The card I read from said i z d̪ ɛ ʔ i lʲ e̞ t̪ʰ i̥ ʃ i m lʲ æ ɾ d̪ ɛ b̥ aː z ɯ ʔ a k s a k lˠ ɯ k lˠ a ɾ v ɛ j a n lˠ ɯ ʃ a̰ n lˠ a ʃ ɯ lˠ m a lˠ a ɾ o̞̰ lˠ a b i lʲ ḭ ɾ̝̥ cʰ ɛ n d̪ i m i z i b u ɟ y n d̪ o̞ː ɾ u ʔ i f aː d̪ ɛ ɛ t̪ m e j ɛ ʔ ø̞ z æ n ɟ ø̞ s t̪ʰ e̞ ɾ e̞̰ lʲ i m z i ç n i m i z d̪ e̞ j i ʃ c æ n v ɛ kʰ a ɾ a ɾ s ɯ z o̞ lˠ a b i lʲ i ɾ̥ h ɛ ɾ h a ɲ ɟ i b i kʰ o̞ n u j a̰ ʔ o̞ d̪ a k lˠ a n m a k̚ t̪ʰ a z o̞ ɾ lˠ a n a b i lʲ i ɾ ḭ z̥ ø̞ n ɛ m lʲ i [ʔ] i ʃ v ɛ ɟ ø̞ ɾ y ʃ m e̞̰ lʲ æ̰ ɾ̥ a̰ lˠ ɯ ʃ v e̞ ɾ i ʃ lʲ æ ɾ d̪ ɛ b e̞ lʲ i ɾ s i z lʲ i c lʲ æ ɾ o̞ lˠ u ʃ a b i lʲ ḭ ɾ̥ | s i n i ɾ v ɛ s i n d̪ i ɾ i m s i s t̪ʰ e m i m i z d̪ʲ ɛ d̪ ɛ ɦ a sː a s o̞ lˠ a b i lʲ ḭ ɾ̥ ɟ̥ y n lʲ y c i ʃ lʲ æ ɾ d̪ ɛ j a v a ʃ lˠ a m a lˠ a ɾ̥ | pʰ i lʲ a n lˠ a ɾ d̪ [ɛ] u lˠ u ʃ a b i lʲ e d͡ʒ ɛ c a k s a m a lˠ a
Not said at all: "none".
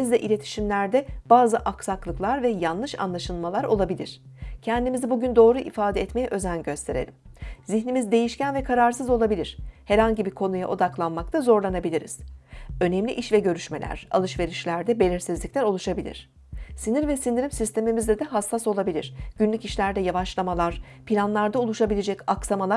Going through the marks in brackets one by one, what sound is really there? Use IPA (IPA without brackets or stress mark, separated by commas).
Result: ʔ, a